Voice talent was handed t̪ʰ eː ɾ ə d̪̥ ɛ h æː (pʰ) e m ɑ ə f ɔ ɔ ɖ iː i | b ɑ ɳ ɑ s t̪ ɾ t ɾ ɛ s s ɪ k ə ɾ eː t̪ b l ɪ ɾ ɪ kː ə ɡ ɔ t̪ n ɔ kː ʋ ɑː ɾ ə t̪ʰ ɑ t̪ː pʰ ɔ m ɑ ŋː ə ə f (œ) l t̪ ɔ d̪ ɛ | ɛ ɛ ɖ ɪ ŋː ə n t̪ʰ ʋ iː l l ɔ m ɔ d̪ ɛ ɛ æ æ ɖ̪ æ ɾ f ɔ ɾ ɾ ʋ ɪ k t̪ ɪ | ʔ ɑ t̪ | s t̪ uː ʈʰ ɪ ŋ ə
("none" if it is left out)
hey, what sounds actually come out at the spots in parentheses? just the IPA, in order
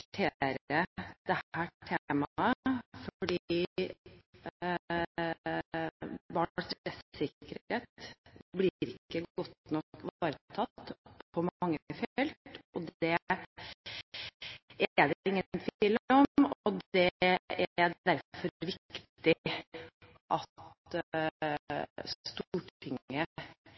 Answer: ʈʰ, ɛ

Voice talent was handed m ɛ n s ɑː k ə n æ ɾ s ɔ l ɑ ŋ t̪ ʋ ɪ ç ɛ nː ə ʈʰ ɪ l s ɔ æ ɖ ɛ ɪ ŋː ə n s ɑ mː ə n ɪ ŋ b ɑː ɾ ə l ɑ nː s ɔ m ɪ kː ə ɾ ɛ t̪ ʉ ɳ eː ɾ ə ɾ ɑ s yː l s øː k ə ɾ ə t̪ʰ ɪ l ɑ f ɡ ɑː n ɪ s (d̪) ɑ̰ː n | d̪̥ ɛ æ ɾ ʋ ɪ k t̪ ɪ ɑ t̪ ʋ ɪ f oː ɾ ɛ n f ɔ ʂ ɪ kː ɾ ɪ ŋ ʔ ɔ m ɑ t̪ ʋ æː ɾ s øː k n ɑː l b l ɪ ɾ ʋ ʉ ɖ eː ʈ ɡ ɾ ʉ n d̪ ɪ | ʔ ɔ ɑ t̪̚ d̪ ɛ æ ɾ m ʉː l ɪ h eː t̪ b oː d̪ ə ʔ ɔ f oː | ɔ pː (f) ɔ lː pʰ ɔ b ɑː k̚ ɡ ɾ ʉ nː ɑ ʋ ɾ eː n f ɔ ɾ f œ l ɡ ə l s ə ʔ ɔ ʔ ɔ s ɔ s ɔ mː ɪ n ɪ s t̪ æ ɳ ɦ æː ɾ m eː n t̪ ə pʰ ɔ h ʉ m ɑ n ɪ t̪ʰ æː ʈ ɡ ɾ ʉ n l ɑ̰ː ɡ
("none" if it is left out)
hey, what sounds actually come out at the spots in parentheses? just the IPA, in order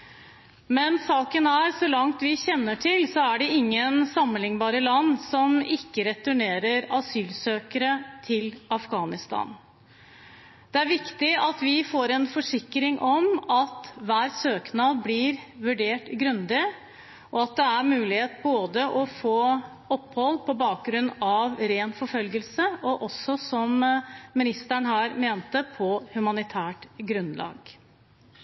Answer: t̪, h

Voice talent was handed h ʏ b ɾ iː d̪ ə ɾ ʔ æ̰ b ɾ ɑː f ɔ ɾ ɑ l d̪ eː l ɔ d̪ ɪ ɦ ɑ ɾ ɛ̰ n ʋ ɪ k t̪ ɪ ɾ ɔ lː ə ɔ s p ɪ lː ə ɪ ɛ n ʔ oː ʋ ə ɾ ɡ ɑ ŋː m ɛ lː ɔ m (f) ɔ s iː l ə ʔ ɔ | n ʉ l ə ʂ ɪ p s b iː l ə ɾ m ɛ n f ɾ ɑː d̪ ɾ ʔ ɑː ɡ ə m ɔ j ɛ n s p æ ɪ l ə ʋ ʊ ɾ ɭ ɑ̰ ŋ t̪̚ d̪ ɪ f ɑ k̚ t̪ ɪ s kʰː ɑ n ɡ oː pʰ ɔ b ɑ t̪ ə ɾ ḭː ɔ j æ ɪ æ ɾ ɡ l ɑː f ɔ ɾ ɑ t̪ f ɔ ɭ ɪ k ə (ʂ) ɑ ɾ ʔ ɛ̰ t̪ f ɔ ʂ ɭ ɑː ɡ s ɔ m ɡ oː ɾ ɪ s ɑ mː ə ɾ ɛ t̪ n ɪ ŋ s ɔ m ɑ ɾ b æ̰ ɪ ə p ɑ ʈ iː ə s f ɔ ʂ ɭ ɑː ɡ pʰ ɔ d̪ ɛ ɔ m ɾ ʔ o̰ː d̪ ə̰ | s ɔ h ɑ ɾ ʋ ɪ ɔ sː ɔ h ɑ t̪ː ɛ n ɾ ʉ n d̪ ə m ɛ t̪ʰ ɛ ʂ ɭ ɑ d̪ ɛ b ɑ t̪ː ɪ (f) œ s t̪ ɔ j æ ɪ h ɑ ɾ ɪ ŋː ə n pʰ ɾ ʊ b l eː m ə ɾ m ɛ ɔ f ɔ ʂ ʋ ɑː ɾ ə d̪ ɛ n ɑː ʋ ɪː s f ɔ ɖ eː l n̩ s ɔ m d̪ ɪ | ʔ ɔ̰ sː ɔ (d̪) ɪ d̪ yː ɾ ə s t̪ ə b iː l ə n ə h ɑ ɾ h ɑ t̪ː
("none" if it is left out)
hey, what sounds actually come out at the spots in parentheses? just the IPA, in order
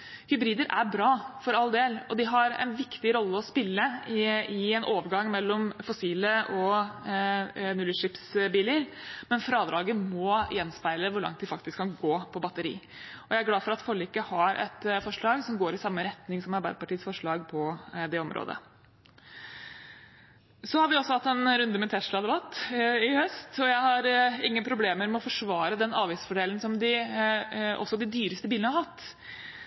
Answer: f, h, h, d̪

